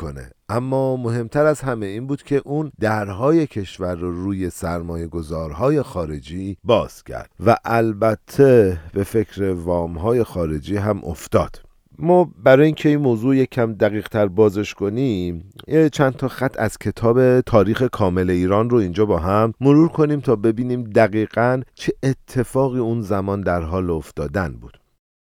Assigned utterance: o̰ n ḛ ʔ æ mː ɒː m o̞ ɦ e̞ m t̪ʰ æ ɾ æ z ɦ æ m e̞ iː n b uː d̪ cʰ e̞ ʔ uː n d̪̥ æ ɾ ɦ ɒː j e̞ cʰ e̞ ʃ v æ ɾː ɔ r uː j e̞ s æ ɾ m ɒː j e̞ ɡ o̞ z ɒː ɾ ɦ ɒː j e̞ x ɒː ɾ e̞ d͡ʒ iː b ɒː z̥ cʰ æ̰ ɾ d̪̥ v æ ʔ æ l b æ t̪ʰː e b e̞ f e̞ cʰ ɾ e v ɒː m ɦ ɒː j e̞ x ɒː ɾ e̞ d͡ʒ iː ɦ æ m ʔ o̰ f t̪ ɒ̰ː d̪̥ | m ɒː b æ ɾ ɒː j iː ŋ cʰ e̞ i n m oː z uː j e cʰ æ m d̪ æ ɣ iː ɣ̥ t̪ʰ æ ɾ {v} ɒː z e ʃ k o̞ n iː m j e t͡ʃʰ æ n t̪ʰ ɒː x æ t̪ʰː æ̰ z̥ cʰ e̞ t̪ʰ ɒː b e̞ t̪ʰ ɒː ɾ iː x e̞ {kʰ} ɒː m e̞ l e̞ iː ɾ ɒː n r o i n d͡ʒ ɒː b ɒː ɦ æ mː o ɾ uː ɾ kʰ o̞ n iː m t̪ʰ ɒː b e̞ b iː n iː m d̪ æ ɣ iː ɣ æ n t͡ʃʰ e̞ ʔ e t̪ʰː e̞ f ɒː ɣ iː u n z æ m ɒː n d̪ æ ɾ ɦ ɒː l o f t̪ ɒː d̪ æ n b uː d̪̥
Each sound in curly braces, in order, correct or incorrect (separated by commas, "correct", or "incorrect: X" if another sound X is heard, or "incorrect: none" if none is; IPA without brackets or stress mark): incorrect: b, correct